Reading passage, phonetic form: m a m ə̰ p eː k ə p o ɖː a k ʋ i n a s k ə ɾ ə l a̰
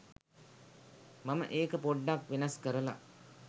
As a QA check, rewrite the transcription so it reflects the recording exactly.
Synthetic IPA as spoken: m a m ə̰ ʔ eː k ə p o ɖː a k ʋ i n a s k ə ɾ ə l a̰